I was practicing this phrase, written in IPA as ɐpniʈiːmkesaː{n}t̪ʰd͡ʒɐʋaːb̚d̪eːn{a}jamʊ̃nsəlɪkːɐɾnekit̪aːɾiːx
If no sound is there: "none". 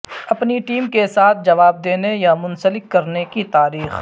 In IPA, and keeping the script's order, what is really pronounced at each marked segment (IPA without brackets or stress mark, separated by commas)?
none, e